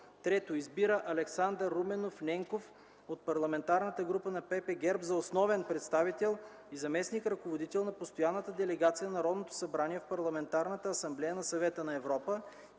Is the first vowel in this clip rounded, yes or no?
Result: no